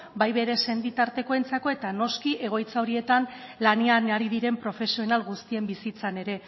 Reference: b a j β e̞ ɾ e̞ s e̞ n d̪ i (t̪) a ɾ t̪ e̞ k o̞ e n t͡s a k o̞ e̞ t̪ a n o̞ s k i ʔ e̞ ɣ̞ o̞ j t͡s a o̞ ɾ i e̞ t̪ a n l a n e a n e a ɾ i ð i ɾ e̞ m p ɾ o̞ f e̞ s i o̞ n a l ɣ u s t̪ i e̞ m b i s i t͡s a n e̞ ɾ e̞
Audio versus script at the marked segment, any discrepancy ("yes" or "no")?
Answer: no